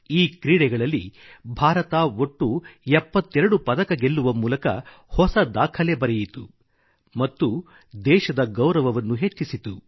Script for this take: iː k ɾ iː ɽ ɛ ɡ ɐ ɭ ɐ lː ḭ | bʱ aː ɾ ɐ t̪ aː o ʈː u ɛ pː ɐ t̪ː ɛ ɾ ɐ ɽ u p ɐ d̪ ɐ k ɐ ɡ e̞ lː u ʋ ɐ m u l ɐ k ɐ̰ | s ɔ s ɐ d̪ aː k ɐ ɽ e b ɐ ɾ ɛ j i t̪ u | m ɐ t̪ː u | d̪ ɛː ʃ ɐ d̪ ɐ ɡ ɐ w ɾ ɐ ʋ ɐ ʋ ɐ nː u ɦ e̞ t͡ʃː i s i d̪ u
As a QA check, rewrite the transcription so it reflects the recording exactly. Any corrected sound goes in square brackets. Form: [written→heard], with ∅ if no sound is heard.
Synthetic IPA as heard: iː k ɾ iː ɽ ɛ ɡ ɐ ɭ ɐ lː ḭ | bʱ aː ɾ ɐ t̪ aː o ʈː u ɛ pː ɐ t̪ː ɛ ɾ ɐ ɽ u p ɐ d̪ ɐ k ɐ ɡ e̞ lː u ʋ ɐ m [u→uː] l ɐ k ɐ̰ | [s→h] ɔ s ɐ d̪ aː [k→kʰ] ɐ [ɽ→l] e b ɐ ɾ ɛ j i t̪ u | m ɐ t̪ː u | d̪ ɛː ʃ ɐ d̪ ɐ ɡ ɐ w ɾ ɐ ʋ ɐ ʋ ɐ nː u ɦ e̞ t͡ʃː i s i [d̪→t̪] u

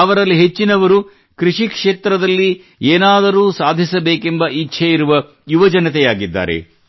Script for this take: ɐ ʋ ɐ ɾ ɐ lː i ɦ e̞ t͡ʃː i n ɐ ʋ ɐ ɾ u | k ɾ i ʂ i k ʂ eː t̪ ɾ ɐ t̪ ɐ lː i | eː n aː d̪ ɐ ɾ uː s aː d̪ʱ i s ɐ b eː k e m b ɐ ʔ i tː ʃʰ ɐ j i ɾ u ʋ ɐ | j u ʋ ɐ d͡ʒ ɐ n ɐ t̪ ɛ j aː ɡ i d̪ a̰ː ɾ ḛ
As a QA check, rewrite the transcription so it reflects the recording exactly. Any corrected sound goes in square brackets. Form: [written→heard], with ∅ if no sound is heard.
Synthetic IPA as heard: ɐ ʋ ɐ ɾ ɐ lː i ɦ e̞ t͡ʃː i n ɐ ʋ ɐ ɾ u | k ɾ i ʂ i k ʂ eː t̪ ɾ ɐ [t̪→d̪] ɐ lː i | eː n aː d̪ ɐ ɾ uː s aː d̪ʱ i s ɐ b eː k e m b ɐ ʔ i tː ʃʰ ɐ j i ɾ u ʋ ɐ | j u ʋ ɐ d͡ʒ ɐ n ɐ t̪ ɛ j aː ɡ i [d̪→d̪ː] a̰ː ɾ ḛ

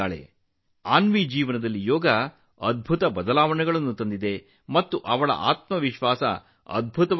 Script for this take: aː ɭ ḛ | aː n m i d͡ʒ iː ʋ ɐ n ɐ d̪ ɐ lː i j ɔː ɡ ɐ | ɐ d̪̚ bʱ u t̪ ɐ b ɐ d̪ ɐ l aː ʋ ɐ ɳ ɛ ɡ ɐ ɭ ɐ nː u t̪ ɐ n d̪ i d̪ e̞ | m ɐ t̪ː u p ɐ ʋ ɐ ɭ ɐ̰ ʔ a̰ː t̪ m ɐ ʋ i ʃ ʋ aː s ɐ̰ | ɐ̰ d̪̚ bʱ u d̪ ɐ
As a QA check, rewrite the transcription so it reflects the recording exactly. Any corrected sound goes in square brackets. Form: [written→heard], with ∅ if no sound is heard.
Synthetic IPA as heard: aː ɭ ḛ | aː n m i d͡ʒ iː ʋ ɐ n ɐ d̪ ɐ lː i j ɔː ɡ ɐ | ɐ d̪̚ bʱ u t̪ ɐ b ɐ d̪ ɐ l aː ʋ ɐ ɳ ɛ ɡ ɐ ɭ ɐ nː u t̪ ɐ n d̪ i d̪ e̞ | m ɐ t̪ː u [p→ʔ] ɐ ʋ ɐ ɭ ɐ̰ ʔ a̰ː t̪ m ɐ ʋ i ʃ ʋ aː s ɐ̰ | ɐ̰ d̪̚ bʱ u [d̪→t̪] ɐ

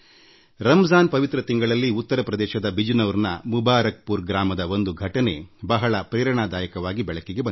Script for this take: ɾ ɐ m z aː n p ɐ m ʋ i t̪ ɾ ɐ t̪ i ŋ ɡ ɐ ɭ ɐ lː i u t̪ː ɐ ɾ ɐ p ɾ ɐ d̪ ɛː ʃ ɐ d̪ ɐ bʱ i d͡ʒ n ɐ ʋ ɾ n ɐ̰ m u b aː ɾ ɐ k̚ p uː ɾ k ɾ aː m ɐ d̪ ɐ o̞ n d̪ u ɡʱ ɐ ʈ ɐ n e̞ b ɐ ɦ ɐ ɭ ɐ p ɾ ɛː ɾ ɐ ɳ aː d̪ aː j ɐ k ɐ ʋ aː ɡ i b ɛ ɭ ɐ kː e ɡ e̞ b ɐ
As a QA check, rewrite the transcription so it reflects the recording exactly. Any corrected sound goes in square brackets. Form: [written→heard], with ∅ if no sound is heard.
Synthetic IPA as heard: ɾ ɐ m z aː n p ɐ [m→∅] ʋ i t̪ ɾ ɐ t̪ i ŋ ɡ ɐ ɭ ɐ lː i u t̪ː ɐ ɾ ɐ p ɾ ɐ d̪ ɛː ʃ ɐ d̪ ɐ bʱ i d͡ʒ n ɐ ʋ ɾ n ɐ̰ m u b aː ɾ ɐ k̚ p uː ɾ [k→ɡ] ɾ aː m ɐ d̪ ɐ o̞ n d̪ u ɡʱ ɐ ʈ ɐ n e̞ b ɐ ɦ ɐ ɭ ɐ p ɾ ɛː ɾ ɐ ɳ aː d̪ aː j ɐ k ɐ ʋ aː ɡ i b ɛ ɭ ɐ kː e ɡ e̞ b ɐ

